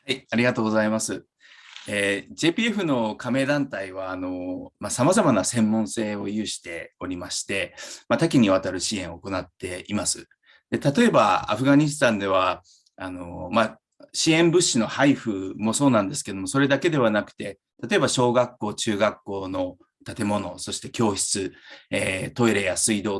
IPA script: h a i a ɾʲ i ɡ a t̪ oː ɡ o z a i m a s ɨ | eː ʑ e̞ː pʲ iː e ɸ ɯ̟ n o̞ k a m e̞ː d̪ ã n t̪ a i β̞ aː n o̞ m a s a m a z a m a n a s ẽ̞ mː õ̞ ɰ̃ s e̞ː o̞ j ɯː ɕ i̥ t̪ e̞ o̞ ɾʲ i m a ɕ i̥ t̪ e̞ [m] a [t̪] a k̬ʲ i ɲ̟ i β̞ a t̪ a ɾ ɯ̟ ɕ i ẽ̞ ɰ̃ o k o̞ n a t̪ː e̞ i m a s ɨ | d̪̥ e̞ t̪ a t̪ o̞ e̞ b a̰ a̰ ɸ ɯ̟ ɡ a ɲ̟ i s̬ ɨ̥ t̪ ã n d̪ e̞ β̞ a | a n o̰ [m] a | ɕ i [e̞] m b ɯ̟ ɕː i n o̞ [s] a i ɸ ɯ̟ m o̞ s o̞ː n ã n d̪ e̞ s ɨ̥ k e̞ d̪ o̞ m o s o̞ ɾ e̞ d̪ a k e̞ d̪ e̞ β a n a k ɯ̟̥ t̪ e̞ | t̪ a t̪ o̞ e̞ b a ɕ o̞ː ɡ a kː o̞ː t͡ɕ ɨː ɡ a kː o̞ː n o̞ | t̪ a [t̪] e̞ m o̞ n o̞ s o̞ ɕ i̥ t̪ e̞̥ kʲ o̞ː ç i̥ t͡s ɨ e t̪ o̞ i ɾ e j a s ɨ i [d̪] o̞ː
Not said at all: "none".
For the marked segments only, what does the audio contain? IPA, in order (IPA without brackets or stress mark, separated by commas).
m, t̪, m, ẽ̞, h, t̪, d̪